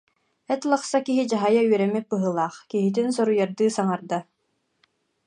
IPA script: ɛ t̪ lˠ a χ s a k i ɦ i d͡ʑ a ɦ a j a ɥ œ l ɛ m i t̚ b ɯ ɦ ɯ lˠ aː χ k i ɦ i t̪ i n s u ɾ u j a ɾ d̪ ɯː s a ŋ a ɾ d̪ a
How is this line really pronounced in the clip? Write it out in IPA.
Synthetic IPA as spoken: ɛ t̪ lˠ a χ s a k i ɦ i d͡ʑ a ɦ a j a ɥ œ ɾ ɛ m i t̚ b ɯ ɦ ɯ lˠ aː χ k i ɦ i t̪ i n s ɔ ɾ u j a ɾ d̪ ɯː s a ŋ a ɾ d̪ a